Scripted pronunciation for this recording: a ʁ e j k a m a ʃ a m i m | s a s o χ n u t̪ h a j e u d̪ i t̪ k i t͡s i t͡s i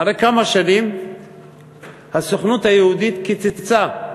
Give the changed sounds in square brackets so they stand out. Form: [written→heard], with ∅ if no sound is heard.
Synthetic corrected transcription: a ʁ e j k a m a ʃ a [m→n] i m | [s→h] a s o χ n u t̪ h a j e u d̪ i t̪ k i t͡s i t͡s [i→a]